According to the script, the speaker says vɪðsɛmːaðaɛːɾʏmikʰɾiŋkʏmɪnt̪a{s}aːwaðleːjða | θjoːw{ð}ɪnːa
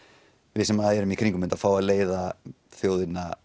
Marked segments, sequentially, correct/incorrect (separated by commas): incorrect, correct